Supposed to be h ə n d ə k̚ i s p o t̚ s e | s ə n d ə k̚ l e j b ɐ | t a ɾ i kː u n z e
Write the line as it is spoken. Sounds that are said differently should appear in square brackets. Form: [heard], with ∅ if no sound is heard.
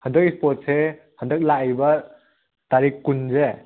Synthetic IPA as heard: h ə n d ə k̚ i s p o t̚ s e | [h] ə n d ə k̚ l [a] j b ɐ | t a ɾ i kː u n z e